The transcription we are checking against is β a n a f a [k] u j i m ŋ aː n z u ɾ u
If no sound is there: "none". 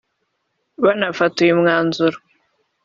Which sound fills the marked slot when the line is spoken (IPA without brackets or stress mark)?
t